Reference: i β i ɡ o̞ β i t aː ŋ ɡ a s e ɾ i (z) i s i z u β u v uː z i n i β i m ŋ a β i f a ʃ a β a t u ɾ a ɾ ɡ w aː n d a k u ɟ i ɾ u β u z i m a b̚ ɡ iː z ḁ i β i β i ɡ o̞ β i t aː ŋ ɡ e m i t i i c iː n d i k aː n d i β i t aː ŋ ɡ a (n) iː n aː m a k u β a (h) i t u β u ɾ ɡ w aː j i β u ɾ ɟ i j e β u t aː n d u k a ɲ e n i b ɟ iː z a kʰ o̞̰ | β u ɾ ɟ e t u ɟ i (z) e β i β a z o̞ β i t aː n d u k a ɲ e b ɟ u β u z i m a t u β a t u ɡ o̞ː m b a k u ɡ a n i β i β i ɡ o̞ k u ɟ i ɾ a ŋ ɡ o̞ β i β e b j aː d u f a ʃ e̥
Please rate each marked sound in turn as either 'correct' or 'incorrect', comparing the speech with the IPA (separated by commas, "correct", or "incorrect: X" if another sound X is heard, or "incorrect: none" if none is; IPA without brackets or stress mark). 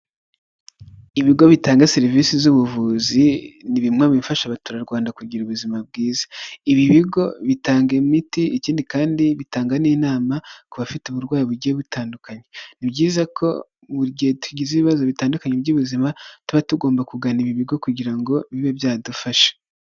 incorrect: v, correct, incorrect: f, correct